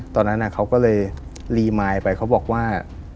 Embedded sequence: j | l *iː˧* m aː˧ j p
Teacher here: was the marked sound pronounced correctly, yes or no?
yes